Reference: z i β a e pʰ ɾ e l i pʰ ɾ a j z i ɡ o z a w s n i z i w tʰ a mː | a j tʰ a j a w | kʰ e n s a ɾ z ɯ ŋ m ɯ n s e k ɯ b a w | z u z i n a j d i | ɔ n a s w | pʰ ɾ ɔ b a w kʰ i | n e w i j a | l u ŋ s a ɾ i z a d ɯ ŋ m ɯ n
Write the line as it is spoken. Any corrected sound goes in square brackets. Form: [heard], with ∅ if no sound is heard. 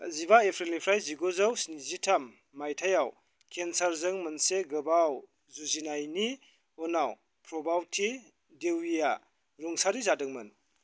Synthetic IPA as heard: z i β a e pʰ ɾ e l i pʰ ɾ a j z i ɡ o z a w s n i z i [∅] tʰ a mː | a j tʰ a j a w | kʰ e n s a ɾ z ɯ ŋ m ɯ n s e [ɡ] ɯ b a w | z u z i n a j [n] i | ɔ n a [∅] w | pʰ ɾ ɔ b a w [tʰ] i | [d] e w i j a | [ɾ] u ŋ s a ɾ i z a d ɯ ŋ m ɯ n